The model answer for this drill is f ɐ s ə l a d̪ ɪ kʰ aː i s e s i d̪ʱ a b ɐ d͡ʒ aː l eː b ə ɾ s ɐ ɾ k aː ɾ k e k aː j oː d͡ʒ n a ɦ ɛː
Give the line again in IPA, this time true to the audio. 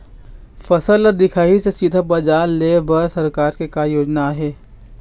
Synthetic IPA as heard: f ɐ s ə l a d̪ ɪ kʰ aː i s e s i d̪ʱ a b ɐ d͡ʒ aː l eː b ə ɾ s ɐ ɾ k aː ɾ k e k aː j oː d͡ʒ n a ɦ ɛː